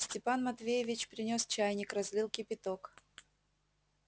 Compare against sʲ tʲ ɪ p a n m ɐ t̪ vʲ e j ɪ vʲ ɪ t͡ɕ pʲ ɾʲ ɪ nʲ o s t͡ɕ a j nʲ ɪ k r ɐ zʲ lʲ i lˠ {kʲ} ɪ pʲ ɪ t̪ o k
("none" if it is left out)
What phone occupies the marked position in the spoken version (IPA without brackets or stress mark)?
kʲ